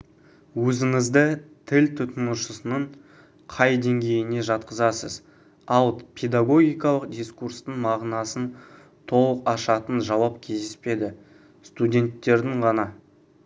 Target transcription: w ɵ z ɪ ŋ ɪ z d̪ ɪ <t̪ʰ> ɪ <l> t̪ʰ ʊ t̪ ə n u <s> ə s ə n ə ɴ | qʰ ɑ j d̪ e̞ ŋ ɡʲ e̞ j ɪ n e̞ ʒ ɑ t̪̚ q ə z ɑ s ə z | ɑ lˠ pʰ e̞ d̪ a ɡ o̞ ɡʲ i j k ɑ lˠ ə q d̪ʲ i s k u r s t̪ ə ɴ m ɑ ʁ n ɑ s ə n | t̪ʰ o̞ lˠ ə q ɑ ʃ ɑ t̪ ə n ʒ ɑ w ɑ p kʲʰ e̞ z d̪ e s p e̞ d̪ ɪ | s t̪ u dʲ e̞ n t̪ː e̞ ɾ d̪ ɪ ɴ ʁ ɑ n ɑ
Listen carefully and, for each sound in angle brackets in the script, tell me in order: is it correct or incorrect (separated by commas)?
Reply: correct, correct, incorrect